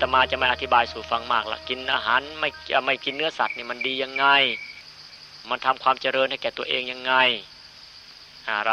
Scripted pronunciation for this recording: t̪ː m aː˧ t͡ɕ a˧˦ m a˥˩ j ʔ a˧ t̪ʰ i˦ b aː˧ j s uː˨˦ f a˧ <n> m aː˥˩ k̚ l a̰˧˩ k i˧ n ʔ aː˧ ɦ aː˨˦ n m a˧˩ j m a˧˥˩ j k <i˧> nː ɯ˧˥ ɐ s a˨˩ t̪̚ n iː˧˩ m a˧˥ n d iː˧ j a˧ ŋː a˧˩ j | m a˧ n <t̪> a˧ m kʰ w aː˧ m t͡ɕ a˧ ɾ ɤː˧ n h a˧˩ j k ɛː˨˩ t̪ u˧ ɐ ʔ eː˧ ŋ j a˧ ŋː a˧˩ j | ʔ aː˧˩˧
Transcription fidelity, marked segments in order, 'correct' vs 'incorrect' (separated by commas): incorrect, correct, incorrect